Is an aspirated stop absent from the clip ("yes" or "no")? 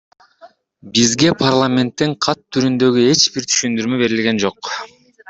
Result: no